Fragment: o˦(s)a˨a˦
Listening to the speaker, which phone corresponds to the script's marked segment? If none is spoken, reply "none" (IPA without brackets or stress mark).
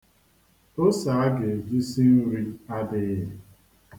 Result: s